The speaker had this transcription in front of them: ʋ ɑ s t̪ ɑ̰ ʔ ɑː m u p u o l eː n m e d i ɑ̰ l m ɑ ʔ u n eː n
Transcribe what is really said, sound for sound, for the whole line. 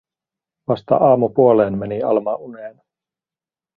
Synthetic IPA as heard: ʋ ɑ s t̪ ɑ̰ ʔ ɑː m u p u o l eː n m e n i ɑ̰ l m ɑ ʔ u n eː n